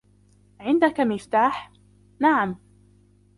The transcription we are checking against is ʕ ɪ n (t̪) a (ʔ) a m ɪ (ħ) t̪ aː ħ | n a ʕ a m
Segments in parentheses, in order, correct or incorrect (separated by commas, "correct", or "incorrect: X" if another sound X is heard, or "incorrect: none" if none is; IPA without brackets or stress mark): incorrect: d̪, incorrect: k, incorrect: f